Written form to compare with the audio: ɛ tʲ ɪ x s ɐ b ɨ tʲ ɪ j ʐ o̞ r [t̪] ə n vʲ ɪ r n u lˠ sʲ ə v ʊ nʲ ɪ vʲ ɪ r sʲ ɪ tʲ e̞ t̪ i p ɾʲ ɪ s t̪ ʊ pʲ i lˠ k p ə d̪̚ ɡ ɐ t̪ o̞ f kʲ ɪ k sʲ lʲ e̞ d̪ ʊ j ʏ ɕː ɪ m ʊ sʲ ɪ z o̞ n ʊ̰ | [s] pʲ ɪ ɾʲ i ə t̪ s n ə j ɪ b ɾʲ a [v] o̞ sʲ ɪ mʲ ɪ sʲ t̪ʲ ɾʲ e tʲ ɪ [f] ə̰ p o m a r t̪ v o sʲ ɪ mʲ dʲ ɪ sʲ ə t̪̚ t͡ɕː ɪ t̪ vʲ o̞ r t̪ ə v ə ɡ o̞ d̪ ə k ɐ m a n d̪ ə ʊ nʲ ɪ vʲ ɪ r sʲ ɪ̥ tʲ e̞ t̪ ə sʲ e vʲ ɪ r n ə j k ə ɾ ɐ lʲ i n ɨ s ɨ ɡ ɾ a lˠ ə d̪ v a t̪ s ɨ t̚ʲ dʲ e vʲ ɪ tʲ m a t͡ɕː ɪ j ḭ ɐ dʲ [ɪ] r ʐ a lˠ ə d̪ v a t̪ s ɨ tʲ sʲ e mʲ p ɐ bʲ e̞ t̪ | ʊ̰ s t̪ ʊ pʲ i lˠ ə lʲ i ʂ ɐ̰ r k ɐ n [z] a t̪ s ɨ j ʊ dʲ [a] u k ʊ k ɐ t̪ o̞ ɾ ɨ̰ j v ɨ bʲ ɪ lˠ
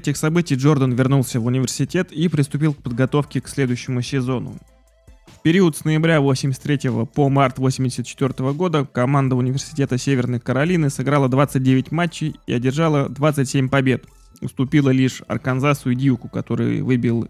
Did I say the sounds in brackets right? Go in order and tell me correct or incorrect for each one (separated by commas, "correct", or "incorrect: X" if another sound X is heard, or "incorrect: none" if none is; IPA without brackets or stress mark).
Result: incorrect: d̪, incorrect: f, correct, incorrect: v, correct, correct, incorrect: i